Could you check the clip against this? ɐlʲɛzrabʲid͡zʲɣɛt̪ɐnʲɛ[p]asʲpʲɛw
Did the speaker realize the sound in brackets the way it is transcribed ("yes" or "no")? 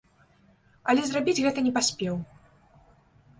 yes